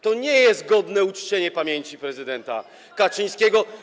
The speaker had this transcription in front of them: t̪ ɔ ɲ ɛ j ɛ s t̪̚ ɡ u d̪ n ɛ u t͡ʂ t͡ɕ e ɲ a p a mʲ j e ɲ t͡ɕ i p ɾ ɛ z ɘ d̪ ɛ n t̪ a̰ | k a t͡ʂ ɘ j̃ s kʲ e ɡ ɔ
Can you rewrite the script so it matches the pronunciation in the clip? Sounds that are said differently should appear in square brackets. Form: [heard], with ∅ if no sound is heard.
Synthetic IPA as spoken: t̪ ɔ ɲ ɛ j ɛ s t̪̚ ɡ [ɔ] d̪ n ɛ u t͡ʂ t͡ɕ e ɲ [ɛ] p a mʲ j e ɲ t͡ɕ i p ɾ ɛ z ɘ d̪ ɛ n t̪ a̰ | k a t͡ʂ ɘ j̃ s kʲ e ɡ ɔ